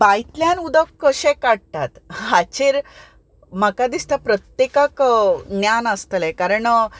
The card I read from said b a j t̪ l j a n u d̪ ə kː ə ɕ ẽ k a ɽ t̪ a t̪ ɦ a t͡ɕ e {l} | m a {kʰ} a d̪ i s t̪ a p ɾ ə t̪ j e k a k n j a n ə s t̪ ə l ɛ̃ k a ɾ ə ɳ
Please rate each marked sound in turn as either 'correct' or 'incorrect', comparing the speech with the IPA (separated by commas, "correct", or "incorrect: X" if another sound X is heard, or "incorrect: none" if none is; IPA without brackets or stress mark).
incorrect: ɾ, incorrect: k